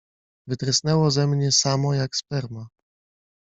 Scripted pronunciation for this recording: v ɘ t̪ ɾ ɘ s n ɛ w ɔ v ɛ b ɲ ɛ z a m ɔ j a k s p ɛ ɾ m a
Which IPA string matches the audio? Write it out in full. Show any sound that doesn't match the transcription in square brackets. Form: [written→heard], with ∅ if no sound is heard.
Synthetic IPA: v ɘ t̪ ɾ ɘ s n ɛ w ɔ [v→z] ɛ [b→m] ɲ ɛ [z→s] a m ɔ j a k s p ɛ ɾ m a